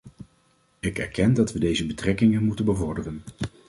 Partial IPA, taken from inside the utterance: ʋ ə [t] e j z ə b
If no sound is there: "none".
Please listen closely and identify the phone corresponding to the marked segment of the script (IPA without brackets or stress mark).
d